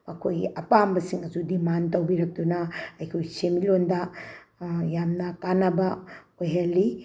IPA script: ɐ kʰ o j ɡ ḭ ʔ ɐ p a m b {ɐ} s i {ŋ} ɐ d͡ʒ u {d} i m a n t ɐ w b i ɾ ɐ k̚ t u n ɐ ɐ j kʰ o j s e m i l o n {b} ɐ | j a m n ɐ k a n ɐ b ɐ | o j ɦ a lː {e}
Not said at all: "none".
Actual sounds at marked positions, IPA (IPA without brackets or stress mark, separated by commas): ɐ, ŋ, d, d, i